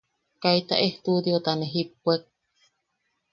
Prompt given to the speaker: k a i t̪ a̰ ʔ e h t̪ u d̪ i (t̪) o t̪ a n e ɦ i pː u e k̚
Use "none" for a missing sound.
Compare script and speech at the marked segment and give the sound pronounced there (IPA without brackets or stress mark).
none